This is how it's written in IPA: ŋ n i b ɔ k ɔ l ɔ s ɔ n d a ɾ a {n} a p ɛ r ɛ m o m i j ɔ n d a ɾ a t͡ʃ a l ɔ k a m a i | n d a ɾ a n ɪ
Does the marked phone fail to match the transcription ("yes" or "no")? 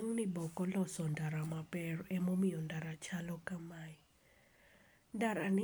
yes